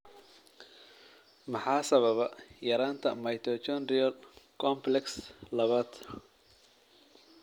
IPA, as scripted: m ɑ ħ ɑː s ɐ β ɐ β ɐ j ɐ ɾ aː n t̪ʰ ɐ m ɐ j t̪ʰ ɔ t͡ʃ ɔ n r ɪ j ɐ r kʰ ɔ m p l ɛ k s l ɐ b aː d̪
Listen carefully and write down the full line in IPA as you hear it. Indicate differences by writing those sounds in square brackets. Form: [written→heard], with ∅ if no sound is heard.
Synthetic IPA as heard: m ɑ ħ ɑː s ɐ β ɐ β ɐ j ɐ ɾ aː n t̪ʰ ɐ m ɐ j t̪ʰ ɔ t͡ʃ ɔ n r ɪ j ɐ [r→l] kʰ ɔ m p l ɛ k s l ɐ [b→β] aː d̪